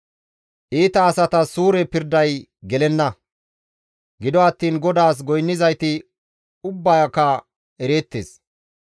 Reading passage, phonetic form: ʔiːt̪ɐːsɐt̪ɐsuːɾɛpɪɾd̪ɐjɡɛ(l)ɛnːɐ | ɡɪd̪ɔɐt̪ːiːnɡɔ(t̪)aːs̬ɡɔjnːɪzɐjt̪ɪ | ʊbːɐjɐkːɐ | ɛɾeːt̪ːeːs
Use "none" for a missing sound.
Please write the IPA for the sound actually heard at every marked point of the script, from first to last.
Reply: l, d̪

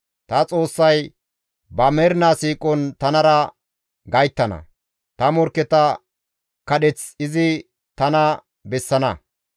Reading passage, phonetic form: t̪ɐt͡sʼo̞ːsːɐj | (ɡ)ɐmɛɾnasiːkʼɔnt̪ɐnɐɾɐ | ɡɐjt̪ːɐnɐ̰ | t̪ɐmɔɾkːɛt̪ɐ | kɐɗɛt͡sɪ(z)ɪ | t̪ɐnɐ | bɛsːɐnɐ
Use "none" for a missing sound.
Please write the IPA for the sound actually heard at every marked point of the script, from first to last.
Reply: b, z

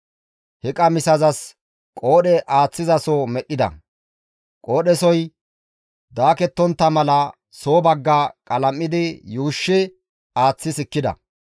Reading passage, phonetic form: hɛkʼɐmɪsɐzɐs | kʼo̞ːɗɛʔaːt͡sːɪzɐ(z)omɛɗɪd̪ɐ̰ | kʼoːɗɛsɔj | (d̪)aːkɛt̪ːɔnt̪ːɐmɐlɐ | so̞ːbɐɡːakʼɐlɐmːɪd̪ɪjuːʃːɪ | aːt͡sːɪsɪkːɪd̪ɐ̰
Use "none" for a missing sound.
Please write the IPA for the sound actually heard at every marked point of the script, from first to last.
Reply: s, d̪

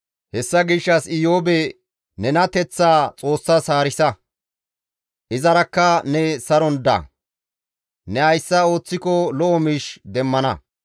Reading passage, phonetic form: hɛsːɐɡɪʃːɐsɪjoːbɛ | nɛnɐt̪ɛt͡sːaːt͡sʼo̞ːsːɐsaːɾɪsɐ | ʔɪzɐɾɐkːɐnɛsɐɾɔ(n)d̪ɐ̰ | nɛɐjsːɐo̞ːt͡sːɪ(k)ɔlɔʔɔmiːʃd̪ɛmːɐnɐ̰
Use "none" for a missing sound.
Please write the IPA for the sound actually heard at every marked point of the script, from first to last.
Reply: n, k

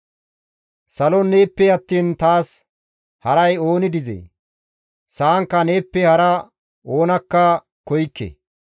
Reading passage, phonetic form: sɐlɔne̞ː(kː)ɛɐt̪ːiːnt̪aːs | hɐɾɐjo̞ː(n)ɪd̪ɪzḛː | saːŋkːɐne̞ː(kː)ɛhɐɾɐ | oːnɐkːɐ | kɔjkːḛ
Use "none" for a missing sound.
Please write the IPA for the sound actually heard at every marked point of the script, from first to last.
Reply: pː, n, pː

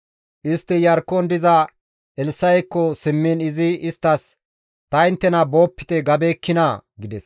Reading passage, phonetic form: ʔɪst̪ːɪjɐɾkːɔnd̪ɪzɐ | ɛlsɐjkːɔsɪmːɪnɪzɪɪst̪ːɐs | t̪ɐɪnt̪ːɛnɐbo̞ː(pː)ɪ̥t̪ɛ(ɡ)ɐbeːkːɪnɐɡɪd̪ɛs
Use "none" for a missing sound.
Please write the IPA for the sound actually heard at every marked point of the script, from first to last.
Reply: pː, ɡ

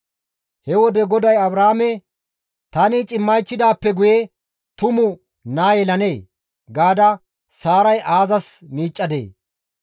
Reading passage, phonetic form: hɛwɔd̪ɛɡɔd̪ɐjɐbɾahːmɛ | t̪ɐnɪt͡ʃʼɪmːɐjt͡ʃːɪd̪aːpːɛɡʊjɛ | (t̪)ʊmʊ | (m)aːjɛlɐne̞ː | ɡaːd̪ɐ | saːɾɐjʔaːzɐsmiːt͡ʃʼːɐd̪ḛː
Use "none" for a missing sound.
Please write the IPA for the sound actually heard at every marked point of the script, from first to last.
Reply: t̪, n

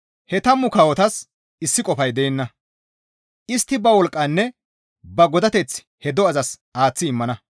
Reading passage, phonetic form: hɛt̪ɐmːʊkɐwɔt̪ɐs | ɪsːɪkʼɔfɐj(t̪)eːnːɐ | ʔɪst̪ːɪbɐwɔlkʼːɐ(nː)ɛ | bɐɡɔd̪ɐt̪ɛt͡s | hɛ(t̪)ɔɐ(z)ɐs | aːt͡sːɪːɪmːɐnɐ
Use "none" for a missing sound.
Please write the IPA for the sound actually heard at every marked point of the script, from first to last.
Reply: d̪, nː, d̪, z

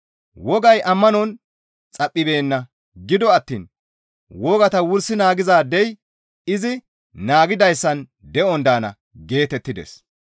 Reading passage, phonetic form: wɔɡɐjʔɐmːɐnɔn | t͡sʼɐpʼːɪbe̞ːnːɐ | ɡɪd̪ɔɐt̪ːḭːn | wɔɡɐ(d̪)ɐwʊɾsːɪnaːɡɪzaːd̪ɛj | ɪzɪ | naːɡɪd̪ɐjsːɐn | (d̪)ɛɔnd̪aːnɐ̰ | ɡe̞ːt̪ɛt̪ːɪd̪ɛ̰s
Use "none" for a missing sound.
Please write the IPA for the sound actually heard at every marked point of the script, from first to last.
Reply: t̪, d̪

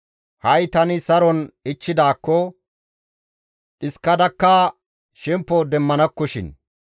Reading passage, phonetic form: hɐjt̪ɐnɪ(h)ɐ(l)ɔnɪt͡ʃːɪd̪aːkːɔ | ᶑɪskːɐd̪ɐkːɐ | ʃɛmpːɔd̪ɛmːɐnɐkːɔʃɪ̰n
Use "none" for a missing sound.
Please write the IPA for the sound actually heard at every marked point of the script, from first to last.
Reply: s, ɾ

